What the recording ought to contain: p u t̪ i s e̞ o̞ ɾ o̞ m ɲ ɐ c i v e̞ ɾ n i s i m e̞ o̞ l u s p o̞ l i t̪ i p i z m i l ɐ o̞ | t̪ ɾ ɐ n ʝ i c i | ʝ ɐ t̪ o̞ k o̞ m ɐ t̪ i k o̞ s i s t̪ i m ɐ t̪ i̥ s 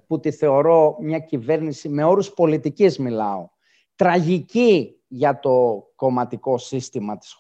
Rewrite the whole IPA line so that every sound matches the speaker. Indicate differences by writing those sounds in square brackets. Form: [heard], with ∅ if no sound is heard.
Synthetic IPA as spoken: p u t̪ i [θ] e̞ o̞ ɾ o̞ m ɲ ɐ c i v e̞ ɾ n i s i m e̞ o̞ [ɾ] u s p o̞ l i t̪ i [c] i z m i l ɐ o̞ | t̪ ɾ ɐ [∅] ʝ i c i | ʝ ɐ t̪ o̞ k o̞ m ɐ t̪ i k o̞ s i s t̪ i m ɐ t̪ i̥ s